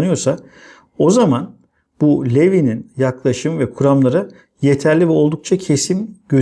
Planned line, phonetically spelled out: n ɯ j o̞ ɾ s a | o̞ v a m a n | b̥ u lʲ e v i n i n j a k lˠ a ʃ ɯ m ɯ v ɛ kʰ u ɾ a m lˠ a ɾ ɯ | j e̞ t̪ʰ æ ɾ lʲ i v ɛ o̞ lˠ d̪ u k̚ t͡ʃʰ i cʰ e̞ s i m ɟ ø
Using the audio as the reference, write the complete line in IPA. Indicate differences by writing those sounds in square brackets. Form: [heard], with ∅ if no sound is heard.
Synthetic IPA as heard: n ɯ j o̞ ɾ s a | o̞ [z] a m a n | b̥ u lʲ e v i n i n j a k lˠ a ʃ ɯ m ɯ v ɛ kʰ u ɾ a m lˠ a ɾ ɯ | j e̞ t̪ʰ æ ɾ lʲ i v ɛ o̞ lˠ d̪ u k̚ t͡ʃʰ [a] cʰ e̞ s i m ɟ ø